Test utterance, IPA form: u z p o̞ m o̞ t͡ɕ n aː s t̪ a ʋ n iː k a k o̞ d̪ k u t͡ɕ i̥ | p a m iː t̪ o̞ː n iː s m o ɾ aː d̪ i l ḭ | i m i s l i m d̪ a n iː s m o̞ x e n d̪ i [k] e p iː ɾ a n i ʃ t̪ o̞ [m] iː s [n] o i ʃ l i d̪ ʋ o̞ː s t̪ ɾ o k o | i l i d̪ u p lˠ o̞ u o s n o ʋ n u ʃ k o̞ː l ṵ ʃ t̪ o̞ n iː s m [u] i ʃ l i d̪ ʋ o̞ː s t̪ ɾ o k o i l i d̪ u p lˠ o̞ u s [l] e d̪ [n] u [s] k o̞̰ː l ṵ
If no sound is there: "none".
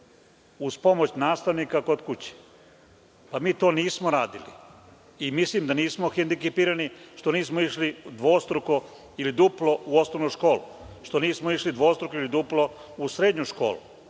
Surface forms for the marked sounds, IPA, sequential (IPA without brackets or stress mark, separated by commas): k, n, m, o, ɾ, ɲ, ʃ